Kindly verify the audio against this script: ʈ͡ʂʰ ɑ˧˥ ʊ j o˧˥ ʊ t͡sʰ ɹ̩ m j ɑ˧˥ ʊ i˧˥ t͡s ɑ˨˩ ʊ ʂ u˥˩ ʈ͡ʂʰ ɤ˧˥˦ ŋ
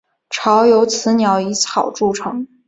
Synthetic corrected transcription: ʈ͡ʂʰ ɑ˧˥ ʊ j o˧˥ ʊ t͡sʰ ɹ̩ n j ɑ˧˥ ʊ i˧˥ t͡sʰ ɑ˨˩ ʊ ʈ͡ʂ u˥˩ ʈ͡ʂʰ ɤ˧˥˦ ŋ